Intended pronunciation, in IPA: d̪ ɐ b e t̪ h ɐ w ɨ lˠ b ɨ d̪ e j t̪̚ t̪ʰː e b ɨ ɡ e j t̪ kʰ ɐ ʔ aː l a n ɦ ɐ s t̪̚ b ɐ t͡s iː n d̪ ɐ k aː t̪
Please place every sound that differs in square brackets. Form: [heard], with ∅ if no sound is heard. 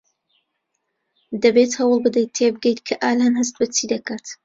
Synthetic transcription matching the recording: d̪ ɐ b e t̪ h ɐ w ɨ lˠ b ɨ d̪ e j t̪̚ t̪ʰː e b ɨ ɡ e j t̪ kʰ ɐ ʔ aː l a n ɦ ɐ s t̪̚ b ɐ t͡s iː [∅] d̪ ɐ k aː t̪